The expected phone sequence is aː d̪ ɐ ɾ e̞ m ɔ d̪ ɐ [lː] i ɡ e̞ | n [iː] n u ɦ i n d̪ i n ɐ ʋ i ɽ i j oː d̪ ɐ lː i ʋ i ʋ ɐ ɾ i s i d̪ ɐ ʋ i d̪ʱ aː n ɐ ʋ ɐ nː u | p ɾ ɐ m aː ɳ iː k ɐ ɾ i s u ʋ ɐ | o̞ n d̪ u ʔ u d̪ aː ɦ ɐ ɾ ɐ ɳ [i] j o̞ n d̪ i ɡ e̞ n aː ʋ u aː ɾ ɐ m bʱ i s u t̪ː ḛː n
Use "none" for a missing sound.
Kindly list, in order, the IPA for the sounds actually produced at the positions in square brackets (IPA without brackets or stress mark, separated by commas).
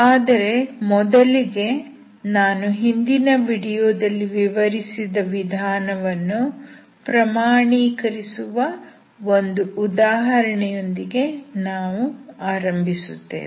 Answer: l, aː, ɛ